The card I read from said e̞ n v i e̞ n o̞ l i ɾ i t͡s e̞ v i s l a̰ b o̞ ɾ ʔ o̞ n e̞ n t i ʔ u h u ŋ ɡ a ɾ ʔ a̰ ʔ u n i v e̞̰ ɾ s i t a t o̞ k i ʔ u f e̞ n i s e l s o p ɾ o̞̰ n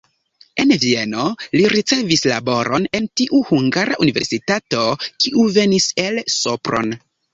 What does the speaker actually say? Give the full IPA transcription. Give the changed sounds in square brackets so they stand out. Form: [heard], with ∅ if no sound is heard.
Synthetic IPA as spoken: e̞ n v i e̞ n o̞ l i ɾ i t͡s e̞ v i s l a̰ b o̞ ɾ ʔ o̞ n e̞ n t i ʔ u h u ŋ ɡ a ɾ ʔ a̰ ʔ u n i v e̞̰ ɾ s i t a t o̞ k i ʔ u [v] e̞ n i s e l s o p ɾ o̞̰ n